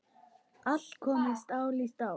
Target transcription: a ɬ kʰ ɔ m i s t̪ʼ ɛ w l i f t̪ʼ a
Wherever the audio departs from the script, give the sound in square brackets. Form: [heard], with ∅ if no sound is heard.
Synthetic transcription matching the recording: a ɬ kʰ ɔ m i s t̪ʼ [a] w l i [s] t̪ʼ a